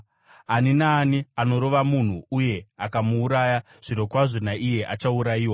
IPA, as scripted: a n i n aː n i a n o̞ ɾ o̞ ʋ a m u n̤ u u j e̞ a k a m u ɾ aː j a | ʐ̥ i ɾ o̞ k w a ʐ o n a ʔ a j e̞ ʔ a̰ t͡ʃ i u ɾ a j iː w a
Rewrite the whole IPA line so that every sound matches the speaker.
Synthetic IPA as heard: a n i n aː n i a n o̞ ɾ o̞ ʋ a m u n̤ u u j e̞ a k a m uː ɾ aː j a | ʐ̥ i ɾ o̞ k w a ʐ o n a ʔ i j e̞ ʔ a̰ t͡ʃ a u ɾ a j iː w a